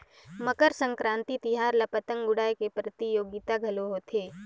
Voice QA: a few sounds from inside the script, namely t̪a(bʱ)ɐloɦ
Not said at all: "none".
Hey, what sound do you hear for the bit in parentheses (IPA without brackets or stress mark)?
ɡʱ